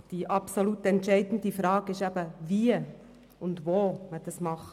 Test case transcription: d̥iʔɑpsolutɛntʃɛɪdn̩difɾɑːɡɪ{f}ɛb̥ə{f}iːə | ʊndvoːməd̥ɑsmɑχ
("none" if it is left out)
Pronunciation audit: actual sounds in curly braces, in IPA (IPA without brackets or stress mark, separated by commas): ʃ, v